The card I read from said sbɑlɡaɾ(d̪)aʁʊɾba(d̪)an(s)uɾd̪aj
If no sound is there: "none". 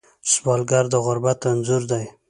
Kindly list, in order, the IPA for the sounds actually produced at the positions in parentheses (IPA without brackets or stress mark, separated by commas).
d̪, t̪, z